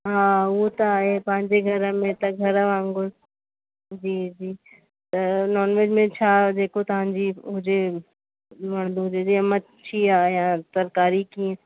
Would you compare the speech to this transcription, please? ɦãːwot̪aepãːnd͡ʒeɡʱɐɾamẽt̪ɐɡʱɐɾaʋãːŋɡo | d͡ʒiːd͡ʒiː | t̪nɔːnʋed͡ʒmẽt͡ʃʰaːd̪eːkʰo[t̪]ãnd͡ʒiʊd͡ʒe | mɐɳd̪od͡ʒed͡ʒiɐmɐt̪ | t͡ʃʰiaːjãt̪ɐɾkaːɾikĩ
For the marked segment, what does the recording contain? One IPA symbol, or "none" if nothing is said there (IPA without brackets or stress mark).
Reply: t̪